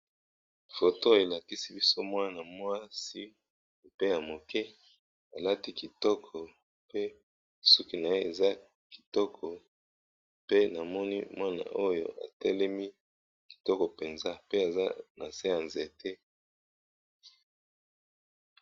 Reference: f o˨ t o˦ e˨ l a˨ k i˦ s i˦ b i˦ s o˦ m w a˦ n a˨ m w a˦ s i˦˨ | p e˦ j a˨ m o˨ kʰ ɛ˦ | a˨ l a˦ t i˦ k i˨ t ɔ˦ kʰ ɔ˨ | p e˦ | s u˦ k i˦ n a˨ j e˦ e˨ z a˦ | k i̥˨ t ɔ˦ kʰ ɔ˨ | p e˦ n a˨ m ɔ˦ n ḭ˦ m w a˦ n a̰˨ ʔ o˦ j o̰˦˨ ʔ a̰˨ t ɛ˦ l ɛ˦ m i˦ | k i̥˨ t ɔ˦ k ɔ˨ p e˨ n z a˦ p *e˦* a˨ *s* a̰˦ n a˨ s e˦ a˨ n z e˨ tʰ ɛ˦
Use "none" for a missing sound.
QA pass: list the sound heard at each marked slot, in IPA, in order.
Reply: e˦, z

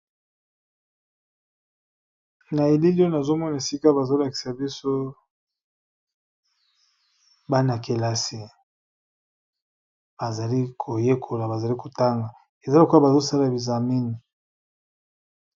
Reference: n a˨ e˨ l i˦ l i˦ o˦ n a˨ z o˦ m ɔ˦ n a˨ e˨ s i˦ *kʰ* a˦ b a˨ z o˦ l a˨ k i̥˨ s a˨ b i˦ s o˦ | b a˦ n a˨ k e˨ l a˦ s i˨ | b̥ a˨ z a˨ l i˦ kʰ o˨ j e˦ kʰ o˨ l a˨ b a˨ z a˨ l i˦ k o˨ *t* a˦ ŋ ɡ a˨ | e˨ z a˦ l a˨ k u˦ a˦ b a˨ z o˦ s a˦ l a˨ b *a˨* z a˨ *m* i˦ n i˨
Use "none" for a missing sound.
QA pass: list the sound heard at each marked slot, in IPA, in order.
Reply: k, t, i˨, m

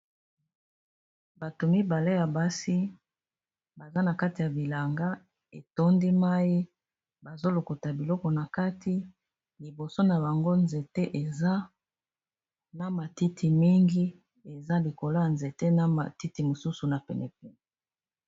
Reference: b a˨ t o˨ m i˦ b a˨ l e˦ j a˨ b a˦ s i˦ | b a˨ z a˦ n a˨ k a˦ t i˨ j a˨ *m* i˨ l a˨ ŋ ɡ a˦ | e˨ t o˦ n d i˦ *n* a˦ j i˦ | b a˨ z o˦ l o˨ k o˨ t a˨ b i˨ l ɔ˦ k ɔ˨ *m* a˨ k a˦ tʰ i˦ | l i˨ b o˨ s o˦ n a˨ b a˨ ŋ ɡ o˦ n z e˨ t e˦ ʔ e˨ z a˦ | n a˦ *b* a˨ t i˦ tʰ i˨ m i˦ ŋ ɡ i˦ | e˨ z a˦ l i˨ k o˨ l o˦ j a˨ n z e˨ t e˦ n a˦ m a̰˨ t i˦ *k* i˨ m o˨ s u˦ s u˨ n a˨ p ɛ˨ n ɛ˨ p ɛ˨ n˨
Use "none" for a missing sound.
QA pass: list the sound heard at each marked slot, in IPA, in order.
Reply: b, m, n, m, t

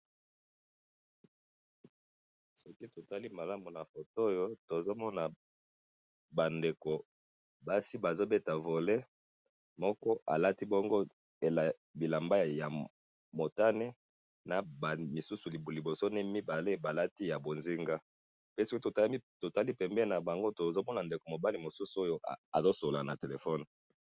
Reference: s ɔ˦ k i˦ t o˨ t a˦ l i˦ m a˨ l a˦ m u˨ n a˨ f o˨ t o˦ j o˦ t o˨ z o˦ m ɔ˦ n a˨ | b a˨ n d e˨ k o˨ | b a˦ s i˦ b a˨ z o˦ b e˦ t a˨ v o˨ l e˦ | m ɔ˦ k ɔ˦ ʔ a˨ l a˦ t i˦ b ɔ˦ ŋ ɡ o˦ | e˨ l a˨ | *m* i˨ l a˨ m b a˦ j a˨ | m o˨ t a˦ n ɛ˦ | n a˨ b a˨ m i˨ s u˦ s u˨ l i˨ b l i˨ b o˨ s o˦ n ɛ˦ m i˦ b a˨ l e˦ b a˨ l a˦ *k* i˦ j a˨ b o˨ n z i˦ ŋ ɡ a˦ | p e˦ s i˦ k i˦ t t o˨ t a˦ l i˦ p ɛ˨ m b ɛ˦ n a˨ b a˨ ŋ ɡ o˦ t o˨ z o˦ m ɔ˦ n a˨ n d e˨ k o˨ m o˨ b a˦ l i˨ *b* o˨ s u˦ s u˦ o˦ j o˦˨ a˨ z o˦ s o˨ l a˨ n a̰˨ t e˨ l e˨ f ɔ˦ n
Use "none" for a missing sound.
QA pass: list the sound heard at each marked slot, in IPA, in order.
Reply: b, t, m

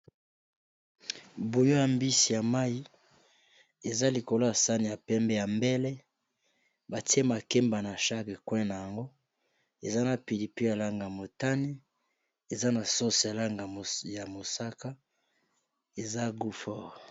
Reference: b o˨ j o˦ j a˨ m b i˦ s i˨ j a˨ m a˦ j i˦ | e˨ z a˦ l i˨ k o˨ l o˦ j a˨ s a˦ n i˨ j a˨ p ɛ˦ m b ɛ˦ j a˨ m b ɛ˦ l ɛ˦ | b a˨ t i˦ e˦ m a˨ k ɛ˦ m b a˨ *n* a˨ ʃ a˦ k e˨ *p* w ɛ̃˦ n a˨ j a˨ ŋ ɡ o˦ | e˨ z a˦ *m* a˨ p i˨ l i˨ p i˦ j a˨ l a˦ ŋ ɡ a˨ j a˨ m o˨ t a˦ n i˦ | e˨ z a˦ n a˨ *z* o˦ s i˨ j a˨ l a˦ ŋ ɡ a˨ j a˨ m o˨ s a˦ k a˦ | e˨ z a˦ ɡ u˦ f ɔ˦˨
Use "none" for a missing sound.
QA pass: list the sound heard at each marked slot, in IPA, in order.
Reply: n, k, n, s

